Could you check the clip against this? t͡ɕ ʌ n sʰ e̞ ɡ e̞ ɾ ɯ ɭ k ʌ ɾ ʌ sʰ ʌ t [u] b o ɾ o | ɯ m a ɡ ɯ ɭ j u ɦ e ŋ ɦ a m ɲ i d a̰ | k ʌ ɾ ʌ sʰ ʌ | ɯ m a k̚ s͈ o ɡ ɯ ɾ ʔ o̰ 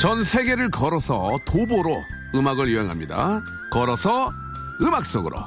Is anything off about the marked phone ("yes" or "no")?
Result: yes